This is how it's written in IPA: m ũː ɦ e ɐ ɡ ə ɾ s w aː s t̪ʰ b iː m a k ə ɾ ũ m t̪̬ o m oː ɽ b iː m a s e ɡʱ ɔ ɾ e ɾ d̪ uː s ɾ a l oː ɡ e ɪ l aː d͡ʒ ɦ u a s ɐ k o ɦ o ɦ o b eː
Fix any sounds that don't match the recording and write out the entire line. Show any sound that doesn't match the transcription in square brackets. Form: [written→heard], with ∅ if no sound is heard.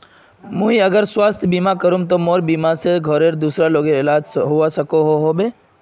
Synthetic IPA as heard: m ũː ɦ [e→i] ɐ ɡ ə ɾ s w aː s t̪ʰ b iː m a k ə ɾ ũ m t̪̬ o m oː [ɽ→ɾ] b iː m a s e ɡʱ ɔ ɾ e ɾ d̪ uː s ɾ a l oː ɡ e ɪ l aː d͡ʒ ɦ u a s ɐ k o ɦ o ɦ o b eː